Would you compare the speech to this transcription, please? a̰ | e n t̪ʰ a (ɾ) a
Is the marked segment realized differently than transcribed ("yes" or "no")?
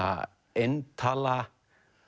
yes